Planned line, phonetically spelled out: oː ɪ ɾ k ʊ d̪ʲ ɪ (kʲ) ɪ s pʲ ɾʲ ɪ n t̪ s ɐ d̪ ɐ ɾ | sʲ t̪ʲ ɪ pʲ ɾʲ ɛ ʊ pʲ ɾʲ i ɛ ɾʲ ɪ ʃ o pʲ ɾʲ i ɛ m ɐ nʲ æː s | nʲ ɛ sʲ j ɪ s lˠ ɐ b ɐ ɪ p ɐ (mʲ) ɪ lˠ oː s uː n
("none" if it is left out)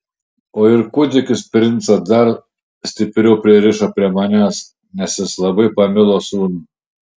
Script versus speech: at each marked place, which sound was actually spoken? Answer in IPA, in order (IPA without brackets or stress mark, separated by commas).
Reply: kʲ, mʲ